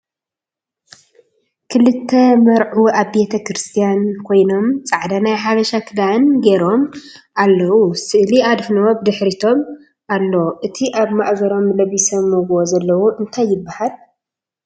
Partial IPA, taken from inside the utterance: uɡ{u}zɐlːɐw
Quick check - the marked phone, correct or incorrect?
incorrect